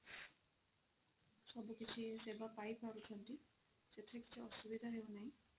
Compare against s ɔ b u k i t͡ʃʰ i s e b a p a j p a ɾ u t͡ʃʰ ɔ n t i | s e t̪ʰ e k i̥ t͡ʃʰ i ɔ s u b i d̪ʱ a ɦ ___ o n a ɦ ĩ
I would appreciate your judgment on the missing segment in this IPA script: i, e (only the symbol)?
e